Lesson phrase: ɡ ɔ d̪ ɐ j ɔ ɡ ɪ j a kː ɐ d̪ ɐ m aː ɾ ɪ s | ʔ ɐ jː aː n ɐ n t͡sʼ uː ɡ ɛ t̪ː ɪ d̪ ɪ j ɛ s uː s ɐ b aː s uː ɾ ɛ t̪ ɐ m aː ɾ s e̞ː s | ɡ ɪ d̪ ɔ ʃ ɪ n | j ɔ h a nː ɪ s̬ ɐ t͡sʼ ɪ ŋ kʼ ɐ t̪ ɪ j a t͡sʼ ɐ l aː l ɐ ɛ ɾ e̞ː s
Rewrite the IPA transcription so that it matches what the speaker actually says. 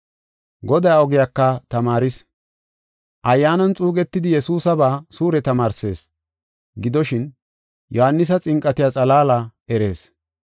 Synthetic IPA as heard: ɡ ɔ d̪ ɐ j ɔ ɡ ɪ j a kː ɐ t̪ ɐ m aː ɾ ɪ s | ʔ ɐ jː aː n ɐ n t͡sʼ uː ɡ ɛ t̪ː ɪ d̪ ɪ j ɛ s uː s ɐ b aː s uː ɾ ɛ t̪ ɐ m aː ɾ s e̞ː s | ɡ ɪ d̪ ɔ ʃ ɪ n | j ɔ h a nː ɪ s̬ ɐ t͡sʼ ɪ ŋ kʼ ɐ t̪ ɪ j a t͡sʼ ɐ l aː l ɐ ɛ ɾ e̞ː s